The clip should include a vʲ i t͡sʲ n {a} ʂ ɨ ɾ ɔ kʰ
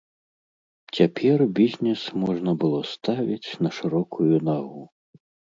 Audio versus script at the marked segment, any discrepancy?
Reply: yes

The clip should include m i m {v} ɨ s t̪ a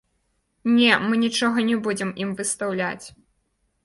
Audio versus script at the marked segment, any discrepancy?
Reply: no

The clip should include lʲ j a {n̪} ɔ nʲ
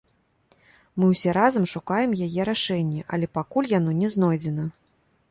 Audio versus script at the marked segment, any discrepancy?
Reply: no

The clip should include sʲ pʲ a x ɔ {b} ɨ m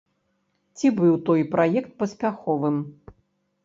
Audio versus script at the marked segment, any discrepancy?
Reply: yes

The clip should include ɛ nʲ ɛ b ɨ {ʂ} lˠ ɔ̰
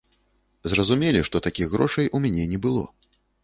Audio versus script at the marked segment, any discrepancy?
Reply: yes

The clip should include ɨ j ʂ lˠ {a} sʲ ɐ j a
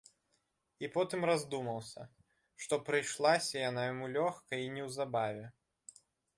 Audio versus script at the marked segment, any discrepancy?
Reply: no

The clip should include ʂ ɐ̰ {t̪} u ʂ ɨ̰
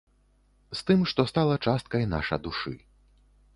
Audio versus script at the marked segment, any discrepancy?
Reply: yes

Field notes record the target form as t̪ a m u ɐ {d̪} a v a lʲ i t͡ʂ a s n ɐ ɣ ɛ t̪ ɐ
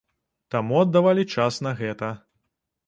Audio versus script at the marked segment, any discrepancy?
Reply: yes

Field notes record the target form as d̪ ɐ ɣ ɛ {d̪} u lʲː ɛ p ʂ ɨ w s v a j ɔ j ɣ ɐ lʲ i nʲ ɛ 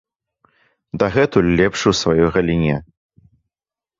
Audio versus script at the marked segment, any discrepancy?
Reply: yes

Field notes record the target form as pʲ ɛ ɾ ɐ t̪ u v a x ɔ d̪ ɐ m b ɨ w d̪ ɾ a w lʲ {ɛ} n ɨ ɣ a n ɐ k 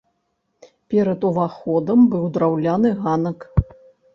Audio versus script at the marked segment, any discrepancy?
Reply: yes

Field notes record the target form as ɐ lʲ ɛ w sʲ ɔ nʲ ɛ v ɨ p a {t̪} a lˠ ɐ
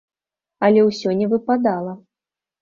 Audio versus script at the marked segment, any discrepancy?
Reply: yes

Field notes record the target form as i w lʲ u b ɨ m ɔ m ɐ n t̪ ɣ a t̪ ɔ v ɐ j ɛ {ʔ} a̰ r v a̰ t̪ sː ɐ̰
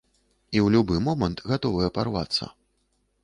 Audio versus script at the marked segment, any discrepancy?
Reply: yes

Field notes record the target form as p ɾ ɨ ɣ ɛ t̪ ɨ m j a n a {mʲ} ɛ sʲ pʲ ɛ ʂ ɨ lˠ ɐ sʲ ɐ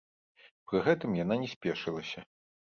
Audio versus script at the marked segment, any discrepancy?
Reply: yes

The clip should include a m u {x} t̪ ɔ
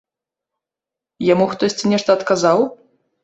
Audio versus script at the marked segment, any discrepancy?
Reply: no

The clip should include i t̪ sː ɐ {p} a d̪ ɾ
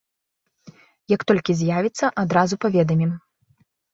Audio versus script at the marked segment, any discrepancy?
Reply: yes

